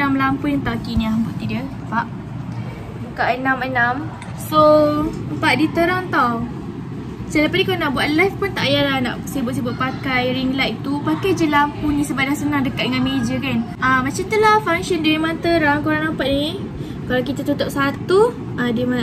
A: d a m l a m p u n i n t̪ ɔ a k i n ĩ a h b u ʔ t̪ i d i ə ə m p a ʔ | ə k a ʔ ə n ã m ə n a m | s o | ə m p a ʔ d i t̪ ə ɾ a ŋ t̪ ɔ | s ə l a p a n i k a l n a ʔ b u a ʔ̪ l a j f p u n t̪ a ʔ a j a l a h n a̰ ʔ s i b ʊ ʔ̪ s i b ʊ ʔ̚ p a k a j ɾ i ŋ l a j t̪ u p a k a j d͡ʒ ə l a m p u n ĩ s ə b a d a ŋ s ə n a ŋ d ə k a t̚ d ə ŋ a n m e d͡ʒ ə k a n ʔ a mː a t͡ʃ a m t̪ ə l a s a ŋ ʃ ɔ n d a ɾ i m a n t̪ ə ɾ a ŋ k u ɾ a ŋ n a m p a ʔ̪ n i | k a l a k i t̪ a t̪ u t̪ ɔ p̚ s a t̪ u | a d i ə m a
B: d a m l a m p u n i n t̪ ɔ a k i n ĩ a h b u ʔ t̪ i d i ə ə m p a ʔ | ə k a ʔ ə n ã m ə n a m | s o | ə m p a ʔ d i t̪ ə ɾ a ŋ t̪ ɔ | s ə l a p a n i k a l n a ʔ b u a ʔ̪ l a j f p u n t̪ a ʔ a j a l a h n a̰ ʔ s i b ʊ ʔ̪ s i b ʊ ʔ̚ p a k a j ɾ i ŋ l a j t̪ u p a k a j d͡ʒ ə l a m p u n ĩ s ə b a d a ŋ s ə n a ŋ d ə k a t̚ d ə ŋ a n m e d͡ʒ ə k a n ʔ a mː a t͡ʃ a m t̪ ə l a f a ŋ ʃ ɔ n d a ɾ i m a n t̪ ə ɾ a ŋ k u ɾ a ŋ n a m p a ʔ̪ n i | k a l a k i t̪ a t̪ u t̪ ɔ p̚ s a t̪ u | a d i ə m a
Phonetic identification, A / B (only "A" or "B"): B